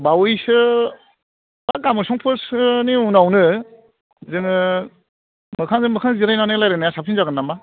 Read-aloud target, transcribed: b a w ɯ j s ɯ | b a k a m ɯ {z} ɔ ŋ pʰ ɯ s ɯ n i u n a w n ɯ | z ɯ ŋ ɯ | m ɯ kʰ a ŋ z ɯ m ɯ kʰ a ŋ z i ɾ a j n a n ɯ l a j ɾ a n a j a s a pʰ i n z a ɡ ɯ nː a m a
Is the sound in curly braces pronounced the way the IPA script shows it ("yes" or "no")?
no